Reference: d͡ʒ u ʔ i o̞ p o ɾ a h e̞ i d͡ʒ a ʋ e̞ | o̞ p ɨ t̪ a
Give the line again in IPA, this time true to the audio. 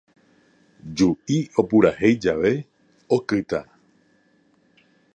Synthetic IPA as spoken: d͡ʒ u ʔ i o̞ p u ɾ a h e̞ j d͡ʒ a ʋ e̞ | o̞ k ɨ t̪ a